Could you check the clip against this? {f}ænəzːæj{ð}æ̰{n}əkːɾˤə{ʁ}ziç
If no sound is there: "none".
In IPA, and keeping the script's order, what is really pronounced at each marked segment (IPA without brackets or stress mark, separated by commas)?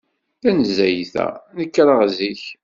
θ, θ, n, ʁ